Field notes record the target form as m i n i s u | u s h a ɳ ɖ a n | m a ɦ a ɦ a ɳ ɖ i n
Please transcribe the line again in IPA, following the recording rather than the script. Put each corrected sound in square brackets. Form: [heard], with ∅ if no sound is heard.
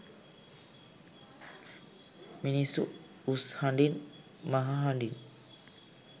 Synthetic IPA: m i n i s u | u s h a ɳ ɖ [i] n | m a ɦ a ɦ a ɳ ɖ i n